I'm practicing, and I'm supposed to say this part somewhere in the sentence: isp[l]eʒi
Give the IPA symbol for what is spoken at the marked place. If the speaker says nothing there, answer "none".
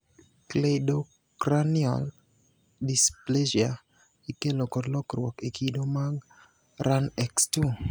l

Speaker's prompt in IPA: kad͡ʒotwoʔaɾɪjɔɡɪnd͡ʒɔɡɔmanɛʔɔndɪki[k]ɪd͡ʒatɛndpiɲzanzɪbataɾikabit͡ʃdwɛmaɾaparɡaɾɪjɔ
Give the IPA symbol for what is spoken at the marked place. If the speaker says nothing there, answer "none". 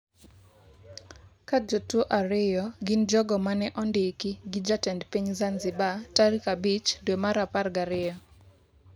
ɡ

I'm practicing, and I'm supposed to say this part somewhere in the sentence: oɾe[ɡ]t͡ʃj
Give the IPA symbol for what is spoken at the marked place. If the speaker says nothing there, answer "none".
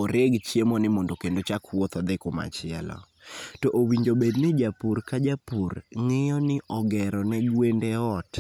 ɡ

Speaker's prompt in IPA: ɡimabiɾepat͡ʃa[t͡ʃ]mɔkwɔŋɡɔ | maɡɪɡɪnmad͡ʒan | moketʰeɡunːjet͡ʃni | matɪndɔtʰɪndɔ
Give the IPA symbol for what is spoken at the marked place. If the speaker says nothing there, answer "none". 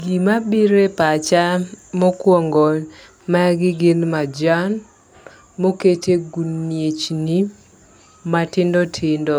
none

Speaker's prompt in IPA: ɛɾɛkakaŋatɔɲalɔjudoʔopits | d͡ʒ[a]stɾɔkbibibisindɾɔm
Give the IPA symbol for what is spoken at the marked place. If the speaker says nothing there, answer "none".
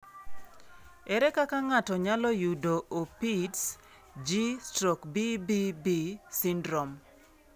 i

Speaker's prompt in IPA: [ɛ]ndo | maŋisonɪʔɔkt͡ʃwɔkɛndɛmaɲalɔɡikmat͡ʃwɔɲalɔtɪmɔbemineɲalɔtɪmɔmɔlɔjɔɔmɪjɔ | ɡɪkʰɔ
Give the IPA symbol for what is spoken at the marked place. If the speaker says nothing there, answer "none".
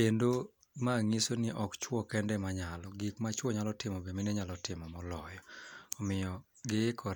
e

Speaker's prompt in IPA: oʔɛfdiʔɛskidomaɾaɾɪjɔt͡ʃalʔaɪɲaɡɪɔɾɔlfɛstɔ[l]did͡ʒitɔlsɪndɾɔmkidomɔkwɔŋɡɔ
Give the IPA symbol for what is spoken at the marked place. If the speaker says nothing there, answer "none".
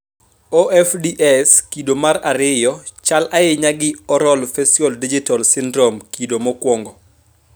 l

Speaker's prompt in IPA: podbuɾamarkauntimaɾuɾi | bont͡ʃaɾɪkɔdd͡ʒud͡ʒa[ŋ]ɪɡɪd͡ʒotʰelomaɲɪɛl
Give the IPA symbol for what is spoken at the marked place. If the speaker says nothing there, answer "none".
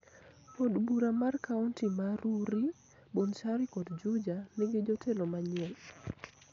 n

